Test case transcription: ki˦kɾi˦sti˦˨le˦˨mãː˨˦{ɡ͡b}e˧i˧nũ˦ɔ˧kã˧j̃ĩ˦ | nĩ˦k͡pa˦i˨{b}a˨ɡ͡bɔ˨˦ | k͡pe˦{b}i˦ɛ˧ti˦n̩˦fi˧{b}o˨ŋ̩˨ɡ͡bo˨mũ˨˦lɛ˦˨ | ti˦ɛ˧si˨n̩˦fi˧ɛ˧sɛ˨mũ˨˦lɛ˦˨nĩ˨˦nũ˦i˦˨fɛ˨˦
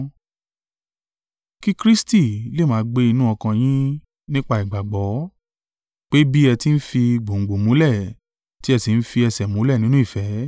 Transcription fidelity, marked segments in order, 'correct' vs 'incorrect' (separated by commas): correct, incorrect, correct, incorrect